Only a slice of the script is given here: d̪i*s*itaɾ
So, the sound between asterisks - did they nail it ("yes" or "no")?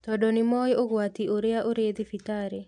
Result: no